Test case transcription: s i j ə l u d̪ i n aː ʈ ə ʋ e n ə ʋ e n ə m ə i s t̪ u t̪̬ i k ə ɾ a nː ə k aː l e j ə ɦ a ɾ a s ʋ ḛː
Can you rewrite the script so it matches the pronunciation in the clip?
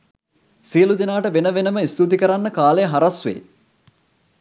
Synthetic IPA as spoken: s i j ə l u d̪ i n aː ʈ ə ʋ e n ə ʋ e n ə m ə i s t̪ u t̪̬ i k ə ɾ a nː ə k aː l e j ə ɦ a ɾ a s ʋ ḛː